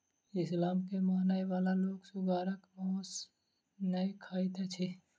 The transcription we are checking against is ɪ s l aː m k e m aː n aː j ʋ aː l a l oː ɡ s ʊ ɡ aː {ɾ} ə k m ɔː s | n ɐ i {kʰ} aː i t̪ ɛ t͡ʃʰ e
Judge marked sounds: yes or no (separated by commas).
yes, yes